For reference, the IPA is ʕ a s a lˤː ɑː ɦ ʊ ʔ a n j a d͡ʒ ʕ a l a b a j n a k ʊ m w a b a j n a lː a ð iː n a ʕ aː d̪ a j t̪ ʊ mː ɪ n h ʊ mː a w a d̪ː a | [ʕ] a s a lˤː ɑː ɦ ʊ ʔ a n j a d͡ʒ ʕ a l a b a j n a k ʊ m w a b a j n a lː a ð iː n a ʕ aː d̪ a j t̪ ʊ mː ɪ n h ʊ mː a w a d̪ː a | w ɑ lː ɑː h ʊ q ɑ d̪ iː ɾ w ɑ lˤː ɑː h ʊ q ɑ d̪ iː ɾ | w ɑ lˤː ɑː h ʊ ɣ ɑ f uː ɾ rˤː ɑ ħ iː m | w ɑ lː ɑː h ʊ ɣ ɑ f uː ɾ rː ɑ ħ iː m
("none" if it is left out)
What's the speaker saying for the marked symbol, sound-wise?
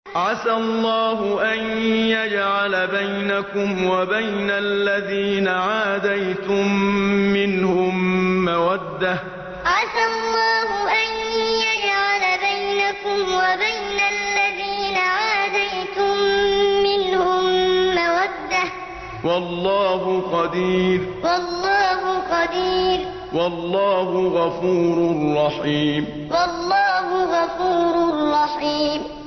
ʕ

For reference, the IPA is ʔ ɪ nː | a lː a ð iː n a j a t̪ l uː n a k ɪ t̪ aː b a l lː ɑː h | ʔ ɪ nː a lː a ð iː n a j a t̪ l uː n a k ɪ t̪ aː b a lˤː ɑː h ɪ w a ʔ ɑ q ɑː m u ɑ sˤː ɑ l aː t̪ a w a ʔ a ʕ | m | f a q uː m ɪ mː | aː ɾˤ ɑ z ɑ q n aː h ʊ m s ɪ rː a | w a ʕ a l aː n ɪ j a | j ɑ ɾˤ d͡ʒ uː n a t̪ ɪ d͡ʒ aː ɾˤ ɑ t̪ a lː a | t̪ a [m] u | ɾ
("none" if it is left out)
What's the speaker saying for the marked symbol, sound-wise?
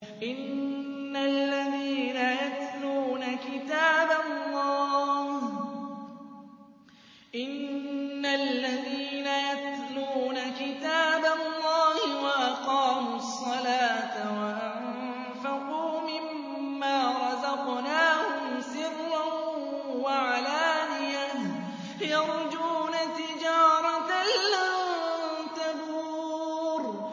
b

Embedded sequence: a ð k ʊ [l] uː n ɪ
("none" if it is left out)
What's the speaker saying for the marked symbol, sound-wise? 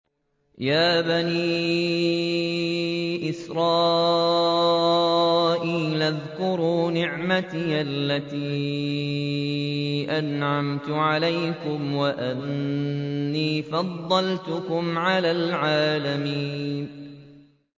ɾ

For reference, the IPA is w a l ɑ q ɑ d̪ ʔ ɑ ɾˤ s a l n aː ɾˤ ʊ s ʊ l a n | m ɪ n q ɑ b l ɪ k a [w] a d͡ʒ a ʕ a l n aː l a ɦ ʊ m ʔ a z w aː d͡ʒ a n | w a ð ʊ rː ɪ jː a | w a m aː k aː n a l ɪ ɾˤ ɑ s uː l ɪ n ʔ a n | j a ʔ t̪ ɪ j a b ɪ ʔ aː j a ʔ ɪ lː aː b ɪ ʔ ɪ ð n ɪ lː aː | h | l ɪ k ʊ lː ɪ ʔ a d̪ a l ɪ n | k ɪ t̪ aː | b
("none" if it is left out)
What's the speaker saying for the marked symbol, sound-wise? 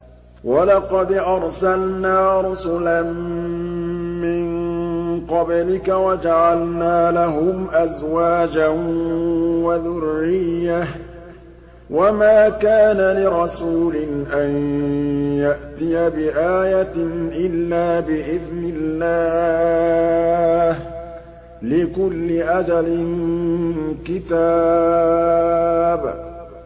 w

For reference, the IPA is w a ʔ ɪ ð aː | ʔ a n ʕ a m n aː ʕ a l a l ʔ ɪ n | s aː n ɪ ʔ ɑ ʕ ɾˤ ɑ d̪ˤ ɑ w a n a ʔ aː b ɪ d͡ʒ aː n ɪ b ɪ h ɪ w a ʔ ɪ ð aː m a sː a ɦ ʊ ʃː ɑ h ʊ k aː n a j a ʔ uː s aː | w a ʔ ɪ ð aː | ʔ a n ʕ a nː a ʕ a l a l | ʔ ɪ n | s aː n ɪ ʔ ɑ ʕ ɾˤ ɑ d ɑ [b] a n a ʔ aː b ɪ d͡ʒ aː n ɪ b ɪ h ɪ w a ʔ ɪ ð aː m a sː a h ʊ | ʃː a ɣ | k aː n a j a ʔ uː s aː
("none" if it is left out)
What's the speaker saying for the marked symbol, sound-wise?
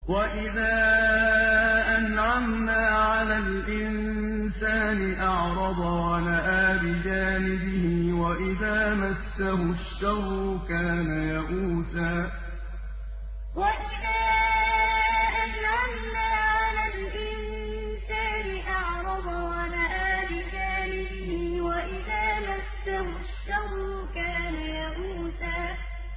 w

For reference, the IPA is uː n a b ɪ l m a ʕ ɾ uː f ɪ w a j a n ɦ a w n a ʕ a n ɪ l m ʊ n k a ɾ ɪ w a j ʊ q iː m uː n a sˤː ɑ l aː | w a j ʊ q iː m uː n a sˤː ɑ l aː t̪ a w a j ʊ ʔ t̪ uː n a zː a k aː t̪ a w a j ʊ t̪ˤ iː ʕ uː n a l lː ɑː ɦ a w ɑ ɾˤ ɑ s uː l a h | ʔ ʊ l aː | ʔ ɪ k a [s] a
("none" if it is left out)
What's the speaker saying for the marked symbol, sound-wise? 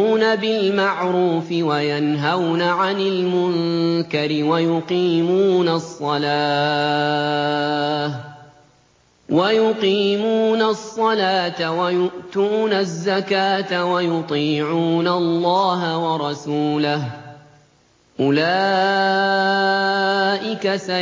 s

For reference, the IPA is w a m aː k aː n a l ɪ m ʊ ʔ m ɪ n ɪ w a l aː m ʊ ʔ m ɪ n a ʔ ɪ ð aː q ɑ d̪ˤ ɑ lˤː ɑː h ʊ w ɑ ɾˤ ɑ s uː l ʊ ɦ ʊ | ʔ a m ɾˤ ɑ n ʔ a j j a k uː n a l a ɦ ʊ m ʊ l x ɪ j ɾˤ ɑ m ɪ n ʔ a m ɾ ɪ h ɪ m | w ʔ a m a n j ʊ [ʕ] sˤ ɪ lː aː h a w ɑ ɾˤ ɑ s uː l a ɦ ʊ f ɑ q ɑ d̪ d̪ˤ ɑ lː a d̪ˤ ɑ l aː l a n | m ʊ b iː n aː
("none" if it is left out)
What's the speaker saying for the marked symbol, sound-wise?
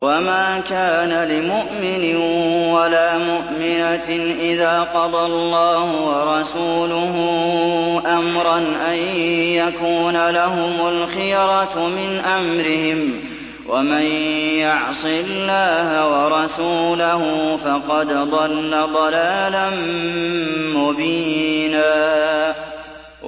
ʕ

